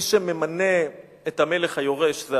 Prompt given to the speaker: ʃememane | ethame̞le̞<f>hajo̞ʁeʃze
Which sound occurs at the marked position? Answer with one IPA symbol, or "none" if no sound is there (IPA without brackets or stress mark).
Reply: χ